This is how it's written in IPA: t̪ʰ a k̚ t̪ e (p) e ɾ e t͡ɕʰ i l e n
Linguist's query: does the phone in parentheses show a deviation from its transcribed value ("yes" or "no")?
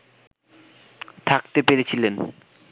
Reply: no